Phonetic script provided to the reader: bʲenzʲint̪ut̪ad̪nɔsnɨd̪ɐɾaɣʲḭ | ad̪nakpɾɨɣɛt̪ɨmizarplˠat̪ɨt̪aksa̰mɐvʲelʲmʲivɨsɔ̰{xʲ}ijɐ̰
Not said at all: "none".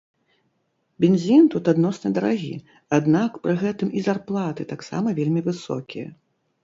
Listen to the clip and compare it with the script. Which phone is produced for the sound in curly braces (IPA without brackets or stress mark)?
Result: kʲ